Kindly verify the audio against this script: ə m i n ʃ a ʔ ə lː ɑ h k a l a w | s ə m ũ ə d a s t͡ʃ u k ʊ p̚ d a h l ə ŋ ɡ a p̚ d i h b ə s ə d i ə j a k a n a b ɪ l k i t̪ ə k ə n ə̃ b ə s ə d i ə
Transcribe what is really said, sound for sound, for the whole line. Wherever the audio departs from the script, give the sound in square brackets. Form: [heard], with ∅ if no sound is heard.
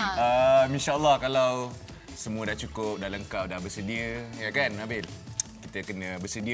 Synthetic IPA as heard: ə m i n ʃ a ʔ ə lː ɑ h k a l a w | s ə m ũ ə d a [h] t͡ʃ u k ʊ p̚ d a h l ə ŋ [k] a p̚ d [a] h b ə s ə d i ə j a k a n a b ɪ l k i t̪ ə k ə n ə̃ b ə s ə d i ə